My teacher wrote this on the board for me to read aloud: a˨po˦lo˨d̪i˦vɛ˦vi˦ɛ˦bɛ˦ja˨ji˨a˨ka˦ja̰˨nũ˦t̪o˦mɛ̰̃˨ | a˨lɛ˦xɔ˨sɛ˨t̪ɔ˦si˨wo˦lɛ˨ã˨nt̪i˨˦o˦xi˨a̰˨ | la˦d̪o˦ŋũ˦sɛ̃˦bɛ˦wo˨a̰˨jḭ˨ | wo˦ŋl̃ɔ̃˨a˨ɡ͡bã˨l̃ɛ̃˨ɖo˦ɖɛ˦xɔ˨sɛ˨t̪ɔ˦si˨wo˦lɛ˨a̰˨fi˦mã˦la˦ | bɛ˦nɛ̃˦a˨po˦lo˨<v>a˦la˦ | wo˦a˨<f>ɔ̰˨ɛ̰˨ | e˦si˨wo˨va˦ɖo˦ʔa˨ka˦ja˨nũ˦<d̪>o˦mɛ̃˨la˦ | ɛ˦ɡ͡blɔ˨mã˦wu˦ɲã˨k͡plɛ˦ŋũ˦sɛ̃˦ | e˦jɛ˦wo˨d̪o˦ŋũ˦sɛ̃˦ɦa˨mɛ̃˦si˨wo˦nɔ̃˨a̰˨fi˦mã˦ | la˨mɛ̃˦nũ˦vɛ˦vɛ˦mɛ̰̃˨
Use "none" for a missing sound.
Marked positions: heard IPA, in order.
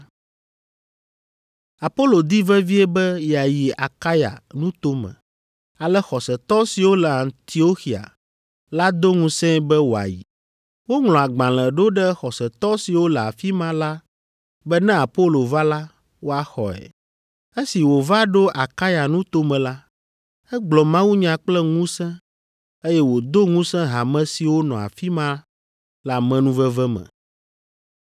v, x, t̪

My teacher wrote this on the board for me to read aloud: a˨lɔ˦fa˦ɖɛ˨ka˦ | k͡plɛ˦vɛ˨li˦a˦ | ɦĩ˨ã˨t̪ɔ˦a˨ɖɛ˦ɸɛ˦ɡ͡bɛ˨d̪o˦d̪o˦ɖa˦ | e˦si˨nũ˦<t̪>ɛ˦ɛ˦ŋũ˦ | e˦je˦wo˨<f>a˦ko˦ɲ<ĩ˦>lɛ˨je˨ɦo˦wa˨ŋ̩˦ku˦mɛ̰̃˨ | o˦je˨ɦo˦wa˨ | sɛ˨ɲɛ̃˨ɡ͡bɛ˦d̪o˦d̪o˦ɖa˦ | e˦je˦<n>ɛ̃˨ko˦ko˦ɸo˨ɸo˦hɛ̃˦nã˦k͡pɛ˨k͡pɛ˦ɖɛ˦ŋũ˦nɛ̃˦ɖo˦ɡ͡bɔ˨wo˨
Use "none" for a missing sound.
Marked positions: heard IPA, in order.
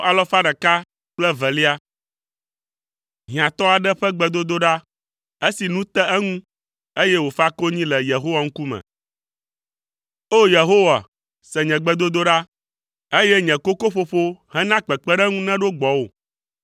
t̪, f, ĩ˦, ɲ

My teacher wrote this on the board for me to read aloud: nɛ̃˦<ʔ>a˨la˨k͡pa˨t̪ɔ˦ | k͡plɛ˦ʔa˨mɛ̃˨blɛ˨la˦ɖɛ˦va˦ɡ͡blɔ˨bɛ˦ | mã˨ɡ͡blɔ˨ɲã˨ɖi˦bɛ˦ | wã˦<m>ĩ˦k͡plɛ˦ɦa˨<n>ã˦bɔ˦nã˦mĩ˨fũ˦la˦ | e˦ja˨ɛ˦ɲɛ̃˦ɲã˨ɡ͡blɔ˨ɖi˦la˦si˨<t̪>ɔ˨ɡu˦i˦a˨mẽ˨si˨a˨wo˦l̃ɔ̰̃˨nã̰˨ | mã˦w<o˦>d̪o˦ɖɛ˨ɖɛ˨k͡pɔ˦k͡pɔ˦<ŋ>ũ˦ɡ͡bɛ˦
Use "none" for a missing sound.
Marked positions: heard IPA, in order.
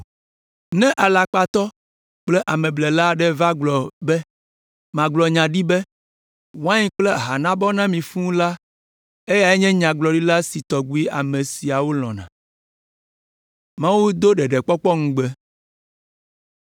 ʔ, ɲ, n, t̪, u˦, ŋ

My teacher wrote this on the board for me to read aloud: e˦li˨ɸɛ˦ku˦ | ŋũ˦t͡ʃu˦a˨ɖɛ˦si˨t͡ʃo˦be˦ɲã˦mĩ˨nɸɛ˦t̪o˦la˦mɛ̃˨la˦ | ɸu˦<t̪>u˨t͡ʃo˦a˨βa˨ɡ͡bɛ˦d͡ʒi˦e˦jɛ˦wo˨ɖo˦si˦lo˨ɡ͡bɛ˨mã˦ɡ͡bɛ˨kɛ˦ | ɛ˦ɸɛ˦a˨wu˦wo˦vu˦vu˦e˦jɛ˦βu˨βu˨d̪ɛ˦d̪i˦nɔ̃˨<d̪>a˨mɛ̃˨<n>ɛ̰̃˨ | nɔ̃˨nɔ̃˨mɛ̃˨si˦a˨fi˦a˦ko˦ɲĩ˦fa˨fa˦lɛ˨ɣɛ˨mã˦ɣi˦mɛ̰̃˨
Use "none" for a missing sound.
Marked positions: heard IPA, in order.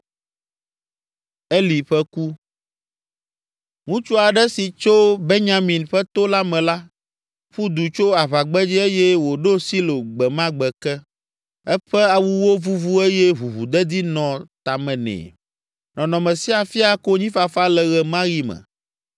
d̪, t̪, n

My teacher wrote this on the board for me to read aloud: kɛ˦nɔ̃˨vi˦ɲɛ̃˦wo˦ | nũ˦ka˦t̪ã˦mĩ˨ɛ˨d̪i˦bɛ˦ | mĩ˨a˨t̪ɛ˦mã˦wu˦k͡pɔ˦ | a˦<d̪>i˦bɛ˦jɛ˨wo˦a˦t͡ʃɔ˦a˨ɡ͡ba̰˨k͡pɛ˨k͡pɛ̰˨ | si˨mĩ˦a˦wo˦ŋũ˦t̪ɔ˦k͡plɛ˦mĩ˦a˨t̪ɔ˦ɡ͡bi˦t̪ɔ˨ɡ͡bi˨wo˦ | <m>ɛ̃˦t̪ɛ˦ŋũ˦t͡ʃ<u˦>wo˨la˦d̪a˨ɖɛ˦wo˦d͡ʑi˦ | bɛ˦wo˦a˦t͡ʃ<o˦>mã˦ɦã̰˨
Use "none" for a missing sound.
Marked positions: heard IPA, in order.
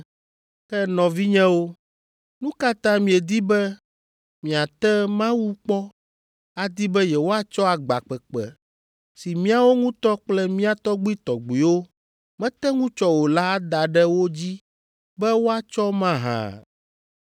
d̪, m, ɔ˦, ɔ˦

